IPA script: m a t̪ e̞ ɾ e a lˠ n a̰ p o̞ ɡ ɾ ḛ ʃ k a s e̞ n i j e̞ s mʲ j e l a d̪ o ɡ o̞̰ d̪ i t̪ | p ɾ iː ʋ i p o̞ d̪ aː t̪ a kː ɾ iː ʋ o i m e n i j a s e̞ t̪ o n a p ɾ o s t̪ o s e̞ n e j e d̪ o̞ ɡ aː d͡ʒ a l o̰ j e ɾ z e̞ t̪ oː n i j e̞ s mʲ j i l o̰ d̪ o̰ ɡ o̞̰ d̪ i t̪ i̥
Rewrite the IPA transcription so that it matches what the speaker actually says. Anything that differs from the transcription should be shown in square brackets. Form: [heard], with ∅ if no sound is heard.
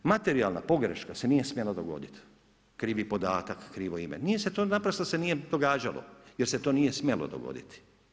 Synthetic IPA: m a t̪ e̞ ɾ [i] a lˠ n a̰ p o̞ ɡ ɾ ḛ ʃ k a s e̞ n i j e̞ s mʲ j e l a d̪ o ɡ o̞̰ d̪ i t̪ | [k] ɾ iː ʋ i p o̞ d̪ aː t̪ a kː ɾ iː ʋ o i m e n i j [e] s e̞ t̪ o n a p ɾ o s t̪ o s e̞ n [i] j e d̪ o̞ ɡ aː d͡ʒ a l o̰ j e ɾ [s] e̞ t̪ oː n i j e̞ s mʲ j [e] l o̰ d̪ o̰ ɡ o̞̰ d̪ i t̪ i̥